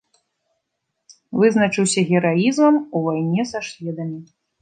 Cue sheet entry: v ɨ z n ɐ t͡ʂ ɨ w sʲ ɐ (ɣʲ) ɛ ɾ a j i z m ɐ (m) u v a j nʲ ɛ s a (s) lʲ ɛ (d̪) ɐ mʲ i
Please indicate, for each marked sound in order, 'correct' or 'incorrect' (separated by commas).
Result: correct, correct, incorrect, correct